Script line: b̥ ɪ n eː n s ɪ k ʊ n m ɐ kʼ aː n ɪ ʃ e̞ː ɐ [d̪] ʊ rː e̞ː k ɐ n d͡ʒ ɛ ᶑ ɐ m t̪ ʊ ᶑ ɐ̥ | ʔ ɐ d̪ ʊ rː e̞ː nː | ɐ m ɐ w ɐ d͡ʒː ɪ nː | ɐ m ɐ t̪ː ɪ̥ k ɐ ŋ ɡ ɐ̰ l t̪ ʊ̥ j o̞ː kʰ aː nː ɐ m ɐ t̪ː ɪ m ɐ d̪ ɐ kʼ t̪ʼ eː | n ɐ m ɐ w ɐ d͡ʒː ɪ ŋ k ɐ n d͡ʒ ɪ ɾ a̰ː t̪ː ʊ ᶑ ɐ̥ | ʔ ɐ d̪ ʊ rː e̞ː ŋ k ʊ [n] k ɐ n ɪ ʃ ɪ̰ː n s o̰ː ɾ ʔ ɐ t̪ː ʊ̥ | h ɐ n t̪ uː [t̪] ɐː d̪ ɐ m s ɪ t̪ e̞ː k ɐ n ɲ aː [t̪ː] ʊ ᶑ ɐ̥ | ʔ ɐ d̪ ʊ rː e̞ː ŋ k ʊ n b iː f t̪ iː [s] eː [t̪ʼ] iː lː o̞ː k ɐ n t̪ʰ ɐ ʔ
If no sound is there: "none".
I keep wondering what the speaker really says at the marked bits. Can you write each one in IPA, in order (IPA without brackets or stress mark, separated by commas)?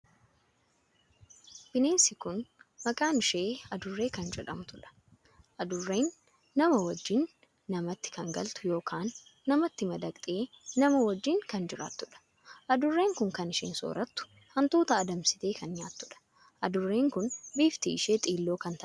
d̪, ŋ, t̪, t̪ː, ʃ, t̪ʼ